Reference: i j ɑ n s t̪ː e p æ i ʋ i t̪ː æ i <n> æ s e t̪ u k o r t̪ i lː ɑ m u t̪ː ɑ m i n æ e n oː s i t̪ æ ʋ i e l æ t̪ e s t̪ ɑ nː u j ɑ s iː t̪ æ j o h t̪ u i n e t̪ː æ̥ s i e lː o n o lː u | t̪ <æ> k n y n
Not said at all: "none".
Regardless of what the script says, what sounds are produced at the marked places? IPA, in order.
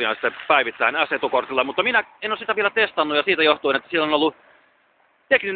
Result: n, e

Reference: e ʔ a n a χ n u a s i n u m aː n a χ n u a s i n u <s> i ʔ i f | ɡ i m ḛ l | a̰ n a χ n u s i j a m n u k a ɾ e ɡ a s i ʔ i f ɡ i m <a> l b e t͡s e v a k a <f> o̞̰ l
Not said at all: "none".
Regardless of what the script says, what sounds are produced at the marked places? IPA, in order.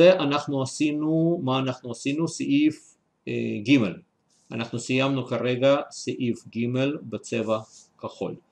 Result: s, e, χ

